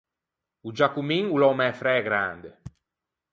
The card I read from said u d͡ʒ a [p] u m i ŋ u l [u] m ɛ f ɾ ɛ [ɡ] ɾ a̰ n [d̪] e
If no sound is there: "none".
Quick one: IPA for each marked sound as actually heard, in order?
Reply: k, ɔ, ɡ, d̪

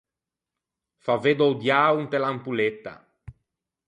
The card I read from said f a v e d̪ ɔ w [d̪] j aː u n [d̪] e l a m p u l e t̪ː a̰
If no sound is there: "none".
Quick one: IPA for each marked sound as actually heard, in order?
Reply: d̪, t̪

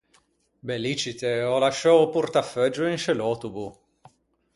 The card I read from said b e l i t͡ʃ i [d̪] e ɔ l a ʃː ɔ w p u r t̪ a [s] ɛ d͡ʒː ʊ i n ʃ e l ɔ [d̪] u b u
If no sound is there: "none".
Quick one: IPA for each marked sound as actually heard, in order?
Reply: t̪, f, t̪

